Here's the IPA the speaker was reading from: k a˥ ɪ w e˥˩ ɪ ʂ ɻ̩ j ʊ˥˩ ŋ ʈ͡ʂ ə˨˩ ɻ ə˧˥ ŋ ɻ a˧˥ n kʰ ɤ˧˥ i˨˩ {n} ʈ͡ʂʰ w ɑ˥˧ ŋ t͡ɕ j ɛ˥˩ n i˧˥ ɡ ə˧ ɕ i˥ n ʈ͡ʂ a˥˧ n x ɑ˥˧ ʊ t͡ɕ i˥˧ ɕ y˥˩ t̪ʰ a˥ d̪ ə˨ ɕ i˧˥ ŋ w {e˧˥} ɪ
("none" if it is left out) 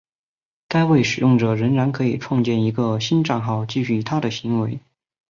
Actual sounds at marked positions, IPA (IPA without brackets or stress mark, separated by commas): none, e˧˥